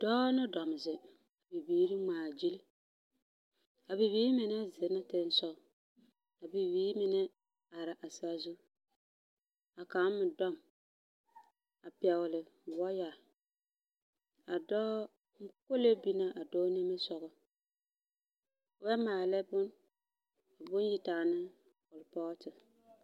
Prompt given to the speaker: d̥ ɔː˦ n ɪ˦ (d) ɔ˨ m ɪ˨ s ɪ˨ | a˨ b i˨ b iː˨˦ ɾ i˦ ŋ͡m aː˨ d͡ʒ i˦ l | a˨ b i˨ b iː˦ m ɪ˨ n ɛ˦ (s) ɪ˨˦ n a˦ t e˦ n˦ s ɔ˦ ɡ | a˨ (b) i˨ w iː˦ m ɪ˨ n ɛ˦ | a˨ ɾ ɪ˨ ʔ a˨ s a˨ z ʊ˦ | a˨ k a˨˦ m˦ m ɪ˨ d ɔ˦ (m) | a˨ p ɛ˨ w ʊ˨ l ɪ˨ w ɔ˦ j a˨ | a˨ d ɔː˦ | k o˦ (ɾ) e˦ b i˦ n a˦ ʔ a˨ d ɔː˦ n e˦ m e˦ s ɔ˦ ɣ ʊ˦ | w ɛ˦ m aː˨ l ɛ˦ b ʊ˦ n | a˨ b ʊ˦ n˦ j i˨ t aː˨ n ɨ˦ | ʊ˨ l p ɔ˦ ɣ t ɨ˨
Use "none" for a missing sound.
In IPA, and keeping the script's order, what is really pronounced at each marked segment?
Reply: d, z, b, m, l

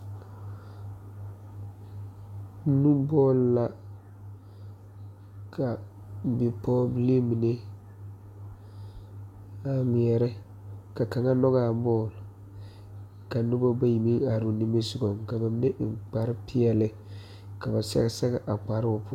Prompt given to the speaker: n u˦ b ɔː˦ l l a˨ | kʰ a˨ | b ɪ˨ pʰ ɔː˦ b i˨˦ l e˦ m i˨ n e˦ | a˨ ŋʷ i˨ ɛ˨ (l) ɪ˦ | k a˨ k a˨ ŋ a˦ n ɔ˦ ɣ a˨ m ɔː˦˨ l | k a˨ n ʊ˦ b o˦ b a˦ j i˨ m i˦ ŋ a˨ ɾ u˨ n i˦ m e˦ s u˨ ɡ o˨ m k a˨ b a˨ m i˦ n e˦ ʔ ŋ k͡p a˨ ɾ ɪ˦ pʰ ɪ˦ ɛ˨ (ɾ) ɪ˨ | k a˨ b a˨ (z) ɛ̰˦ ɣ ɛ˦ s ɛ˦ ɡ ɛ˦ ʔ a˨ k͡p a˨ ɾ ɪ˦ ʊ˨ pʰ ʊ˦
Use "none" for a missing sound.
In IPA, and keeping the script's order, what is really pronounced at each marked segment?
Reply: ɾ, l, s

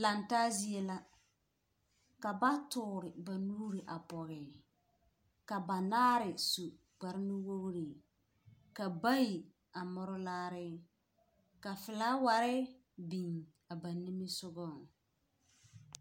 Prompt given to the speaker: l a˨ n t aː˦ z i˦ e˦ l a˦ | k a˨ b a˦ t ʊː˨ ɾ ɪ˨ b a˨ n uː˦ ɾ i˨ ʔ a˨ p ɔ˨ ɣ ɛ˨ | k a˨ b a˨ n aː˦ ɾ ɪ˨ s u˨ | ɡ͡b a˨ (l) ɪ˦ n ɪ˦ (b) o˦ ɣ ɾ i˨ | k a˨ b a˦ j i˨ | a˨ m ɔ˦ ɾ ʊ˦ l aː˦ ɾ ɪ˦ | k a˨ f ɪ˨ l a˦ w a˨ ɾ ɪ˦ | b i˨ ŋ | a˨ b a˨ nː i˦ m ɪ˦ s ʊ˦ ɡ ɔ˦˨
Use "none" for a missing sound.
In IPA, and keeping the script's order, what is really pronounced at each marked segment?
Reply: ɾ, w

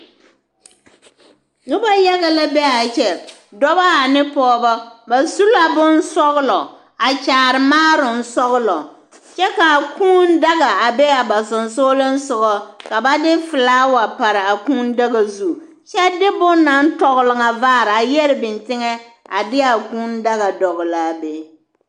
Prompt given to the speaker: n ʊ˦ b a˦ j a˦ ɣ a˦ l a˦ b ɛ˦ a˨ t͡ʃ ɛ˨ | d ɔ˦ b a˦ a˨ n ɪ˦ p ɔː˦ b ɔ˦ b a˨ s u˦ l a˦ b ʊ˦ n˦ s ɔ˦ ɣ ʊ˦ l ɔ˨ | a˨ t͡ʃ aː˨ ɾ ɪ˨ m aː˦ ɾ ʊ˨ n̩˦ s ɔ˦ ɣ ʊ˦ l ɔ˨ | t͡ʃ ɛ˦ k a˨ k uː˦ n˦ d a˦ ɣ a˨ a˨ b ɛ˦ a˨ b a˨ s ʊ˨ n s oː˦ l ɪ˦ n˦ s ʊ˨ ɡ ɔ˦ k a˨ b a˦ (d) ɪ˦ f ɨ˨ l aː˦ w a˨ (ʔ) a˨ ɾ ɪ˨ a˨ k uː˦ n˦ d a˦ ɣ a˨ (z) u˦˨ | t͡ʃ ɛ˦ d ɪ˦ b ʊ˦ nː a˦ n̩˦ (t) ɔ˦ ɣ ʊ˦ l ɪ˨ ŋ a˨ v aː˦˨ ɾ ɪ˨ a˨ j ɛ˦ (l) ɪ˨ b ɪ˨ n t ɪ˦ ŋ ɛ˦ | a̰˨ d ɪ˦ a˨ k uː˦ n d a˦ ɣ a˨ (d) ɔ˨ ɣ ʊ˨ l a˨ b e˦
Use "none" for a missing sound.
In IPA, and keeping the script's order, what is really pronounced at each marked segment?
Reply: d, p, z, t, ɾ, d

